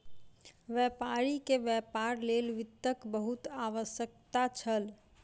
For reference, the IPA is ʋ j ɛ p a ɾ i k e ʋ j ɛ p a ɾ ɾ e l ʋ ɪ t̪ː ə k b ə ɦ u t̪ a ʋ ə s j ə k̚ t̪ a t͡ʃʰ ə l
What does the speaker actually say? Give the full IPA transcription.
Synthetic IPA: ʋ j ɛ p a ɾ i k e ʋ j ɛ p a ɾ l e l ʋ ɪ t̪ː ə k b ə ɦ u t̪ a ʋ ə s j ə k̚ t̪ a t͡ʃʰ ə l